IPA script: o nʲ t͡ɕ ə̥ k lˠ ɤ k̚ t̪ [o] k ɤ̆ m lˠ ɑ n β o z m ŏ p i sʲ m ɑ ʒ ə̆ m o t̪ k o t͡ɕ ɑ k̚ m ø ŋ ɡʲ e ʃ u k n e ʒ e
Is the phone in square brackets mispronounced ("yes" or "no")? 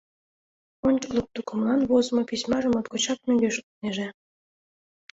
yes